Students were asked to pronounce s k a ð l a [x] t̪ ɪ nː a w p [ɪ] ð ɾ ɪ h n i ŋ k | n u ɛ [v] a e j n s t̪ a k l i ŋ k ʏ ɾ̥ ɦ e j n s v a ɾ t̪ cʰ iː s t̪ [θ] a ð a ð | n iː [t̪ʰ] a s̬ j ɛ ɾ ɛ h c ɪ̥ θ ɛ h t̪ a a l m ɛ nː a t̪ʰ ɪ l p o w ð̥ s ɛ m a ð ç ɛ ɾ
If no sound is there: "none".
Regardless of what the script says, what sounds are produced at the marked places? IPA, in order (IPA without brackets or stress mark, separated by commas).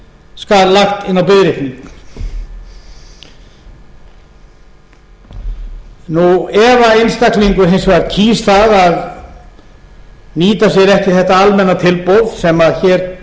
x, ɪ, v, θ, t̪